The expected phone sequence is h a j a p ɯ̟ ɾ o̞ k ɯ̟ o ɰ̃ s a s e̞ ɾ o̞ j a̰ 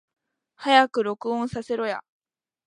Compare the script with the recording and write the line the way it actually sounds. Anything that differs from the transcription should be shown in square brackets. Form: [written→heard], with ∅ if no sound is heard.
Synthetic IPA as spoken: h a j a [p→k] ɯ̟ ɾ o̞ k ɯ̟ [o→õ] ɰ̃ s a s e̞ ɾ o̞ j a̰